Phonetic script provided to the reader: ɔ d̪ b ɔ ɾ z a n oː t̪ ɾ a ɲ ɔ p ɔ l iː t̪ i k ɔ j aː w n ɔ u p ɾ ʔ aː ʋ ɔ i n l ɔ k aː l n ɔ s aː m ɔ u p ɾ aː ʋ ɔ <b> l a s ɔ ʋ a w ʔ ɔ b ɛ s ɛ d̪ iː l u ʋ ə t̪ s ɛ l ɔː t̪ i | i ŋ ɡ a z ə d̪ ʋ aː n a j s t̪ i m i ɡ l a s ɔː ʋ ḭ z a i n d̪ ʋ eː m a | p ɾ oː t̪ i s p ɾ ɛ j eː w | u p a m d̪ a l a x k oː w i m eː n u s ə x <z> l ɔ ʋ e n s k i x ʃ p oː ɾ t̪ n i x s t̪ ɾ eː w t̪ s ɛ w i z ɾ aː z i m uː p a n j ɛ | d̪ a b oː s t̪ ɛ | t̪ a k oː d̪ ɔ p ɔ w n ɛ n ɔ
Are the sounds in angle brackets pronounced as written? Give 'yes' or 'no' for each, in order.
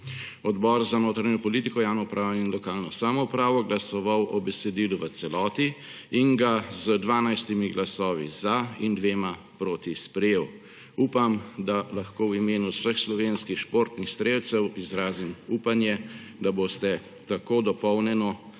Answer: no, no

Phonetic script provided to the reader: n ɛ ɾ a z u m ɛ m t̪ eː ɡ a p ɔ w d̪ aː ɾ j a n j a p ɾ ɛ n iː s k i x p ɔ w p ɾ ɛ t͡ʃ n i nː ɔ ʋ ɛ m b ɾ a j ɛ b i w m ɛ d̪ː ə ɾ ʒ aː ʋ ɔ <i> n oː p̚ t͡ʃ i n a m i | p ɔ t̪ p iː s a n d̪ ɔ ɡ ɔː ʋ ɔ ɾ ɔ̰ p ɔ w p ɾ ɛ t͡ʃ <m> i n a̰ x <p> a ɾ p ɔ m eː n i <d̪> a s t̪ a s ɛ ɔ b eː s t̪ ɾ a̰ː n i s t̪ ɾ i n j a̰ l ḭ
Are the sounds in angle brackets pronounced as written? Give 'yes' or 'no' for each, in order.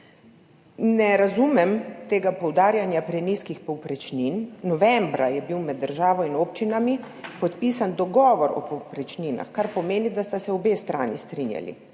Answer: yes, no, no, yes

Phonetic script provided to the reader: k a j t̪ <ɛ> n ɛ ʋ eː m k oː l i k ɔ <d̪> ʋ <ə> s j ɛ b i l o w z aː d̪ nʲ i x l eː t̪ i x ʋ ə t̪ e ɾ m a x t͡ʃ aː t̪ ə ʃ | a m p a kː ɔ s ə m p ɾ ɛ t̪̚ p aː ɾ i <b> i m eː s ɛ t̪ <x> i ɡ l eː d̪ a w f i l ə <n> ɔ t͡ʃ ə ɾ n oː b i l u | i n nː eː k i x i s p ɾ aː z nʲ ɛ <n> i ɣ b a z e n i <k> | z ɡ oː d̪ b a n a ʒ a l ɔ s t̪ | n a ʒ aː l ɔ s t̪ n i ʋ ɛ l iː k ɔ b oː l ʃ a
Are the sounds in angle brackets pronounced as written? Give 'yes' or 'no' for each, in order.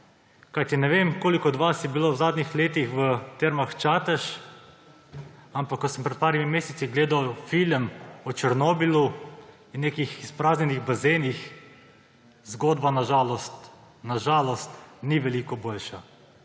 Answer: no, yes, no, no, no, no, yes, no

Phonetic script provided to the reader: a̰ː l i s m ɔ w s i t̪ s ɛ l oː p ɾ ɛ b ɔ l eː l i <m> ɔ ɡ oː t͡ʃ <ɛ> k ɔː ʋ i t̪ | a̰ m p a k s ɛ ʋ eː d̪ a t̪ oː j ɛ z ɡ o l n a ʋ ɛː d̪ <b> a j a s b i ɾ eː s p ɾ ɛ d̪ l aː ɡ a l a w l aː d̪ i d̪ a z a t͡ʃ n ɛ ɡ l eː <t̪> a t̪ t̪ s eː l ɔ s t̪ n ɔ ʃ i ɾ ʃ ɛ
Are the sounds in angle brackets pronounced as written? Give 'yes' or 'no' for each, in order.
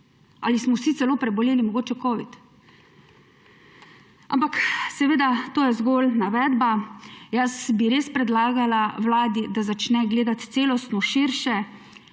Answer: yes, yes, yes, no

